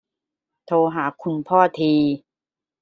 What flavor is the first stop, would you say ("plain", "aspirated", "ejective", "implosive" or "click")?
aspirated